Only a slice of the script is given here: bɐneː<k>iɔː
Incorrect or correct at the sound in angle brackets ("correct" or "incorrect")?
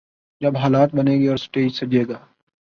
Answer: incorrect